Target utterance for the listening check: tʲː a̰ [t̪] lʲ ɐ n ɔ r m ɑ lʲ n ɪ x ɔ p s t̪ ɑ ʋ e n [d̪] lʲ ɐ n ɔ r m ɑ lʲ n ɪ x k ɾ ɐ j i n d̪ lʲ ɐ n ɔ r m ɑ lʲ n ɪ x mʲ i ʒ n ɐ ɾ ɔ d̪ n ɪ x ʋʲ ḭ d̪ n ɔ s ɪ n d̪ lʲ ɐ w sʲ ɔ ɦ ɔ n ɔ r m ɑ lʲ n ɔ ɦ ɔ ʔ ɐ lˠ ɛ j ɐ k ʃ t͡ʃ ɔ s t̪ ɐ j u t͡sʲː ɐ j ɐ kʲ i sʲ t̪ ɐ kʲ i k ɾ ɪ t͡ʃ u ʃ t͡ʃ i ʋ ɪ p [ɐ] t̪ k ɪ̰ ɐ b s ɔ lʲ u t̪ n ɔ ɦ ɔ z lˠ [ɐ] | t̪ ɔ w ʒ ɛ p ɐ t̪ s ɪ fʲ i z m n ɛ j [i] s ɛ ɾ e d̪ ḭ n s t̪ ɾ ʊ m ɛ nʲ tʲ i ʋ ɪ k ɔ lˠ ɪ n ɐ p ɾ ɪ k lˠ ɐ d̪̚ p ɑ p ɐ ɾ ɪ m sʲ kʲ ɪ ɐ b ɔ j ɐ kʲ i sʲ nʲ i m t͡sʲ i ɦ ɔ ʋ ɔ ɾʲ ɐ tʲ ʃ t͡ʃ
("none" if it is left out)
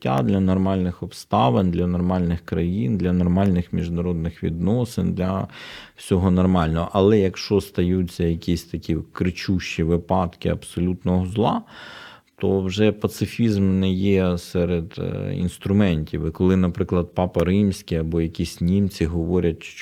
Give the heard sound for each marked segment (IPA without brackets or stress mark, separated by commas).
d̪, d̪, ɑ, ɑ, ɛ